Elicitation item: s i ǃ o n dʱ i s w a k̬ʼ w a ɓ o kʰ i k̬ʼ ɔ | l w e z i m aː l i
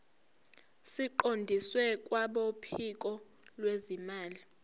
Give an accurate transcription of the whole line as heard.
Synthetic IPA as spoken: s i ǃ o n dʱ i s w ɛ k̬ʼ w a ɓ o pʰ i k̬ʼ ɔ | l w e z i m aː l i